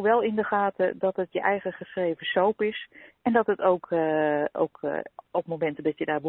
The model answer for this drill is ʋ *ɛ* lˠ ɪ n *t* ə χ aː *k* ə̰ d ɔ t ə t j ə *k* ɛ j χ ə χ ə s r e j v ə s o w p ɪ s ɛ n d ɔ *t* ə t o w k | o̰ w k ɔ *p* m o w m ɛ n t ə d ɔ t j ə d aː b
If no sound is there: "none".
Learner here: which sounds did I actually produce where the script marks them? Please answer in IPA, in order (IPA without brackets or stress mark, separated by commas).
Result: ɛ, d, t, ʔ, t, p